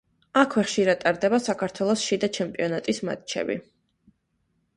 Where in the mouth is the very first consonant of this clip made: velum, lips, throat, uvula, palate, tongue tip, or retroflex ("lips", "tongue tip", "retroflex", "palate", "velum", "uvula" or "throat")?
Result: velum